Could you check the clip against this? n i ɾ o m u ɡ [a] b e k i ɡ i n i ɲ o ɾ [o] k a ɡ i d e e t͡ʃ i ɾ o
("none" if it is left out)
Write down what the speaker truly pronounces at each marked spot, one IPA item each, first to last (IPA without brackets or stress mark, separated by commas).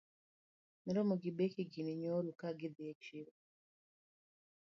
i, u